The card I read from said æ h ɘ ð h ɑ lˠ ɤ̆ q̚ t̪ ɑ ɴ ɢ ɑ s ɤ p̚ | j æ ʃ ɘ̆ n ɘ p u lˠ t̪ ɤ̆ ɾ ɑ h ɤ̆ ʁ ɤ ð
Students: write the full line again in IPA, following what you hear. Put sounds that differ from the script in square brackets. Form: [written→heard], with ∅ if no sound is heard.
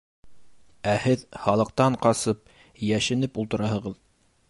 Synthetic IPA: æ h ɘ ð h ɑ lˠ ɤ̆ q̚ t̪ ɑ ɴ [ɢ→q] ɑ s ɤ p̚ | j æ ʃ ɘ̆ n ɘ p u lˠ t̪ ɤ̆ ɾ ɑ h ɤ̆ ʁ ɤ ð